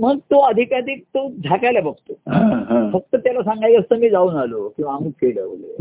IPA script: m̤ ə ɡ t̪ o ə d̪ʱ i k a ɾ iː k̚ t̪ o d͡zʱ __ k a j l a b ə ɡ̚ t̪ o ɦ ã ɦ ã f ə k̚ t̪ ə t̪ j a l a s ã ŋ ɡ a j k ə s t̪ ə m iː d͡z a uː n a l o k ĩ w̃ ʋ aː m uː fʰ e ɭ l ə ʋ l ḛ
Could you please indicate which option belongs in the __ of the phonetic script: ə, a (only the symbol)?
a